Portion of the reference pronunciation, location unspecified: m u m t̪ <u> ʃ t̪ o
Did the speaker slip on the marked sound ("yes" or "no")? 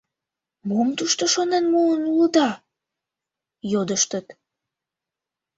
no